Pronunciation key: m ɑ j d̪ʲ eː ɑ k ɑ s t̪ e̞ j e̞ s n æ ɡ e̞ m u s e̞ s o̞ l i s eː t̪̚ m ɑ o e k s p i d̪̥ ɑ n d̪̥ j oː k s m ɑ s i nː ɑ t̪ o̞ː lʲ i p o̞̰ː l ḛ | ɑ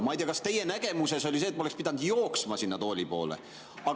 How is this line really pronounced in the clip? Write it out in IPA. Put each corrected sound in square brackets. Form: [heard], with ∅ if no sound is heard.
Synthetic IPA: m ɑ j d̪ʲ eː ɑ k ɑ s t̪ e̞ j e̞ [∅] n æ ɡ e̞ m u s e̞ s o̞ l i s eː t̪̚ m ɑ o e k s p i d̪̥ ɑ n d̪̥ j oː k s m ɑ s i nː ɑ t̪ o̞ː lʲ i p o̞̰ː l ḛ | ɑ